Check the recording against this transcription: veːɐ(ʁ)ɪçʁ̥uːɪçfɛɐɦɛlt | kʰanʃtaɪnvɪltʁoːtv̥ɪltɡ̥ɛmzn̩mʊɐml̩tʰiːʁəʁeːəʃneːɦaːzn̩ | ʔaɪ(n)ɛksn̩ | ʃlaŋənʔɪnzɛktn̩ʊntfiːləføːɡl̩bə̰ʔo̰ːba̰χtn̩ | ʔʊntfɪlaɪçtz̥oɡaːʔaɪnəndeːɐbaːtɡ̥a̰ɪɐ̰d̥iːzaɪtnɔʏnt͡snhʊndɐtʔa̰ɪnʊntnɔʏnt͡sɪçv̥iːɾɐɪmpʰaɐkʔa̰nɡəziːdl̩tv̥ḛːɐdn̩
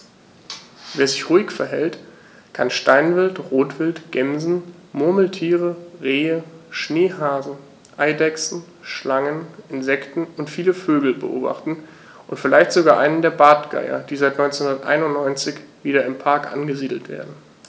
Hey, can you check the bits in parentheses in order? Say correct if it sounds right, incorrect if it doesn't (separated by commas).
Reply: incorrect, incorrect